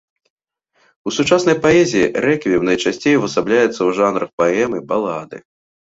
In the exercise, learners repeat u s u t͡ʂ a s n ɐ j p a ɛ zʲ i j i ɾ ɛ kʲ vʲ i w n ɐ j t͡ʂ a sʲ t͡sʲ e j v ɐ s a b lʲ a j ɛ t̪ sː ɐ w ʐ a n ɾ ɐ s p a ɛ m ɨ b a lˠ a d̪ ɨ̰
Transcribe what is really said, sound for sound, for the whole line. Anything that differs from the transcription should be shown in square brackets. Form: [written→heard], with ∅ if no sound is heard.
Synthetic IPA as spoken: u s u t͡ʂ a s n ɐ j p a ɛ zʲ i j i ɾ ɛ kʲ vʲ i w n ɐ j t͡ʂ a sʲ t͡sʲ e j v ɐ s a b lʲ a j ɛ t̪ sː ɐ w ʐ a n ɾ ɐ [s→x] p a ɛ m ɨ b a lˠ a d̪ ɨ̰